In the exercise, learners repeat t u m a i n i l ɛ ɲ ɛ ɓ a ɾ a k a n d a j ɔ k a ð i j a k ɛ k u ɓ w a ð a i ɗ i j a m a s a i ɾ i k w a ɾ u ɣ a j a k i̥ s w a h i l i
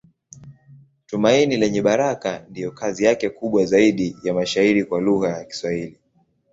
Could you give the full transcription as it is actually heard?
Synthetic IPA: t u m a i n i l ɛ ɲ ɛ ɓ a ɾ a k a n d i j ɔ k a z i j a k ɛ k u ɓ w a z a i ɗ i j a m a ʃ a i ɾ i k w a l u ɣ a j a k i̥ s w a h i l i